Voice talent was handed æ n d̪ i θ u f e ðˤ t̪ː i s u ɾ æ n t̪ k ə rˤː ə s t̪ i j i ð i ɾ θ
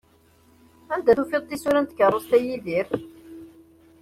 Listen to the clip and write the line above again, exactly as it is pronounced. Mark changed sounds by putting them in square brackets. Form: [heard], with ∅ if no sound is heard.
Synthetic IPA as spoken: æ n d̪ [æ] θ u f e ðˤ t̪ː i s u ɾ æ n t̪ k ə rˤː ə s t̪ [æ] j i ð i ɾ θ